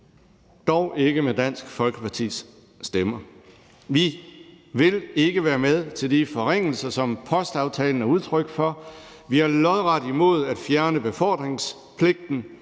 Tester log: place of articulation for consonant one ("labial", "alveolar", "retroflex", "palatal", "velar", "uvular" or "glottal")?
alveolar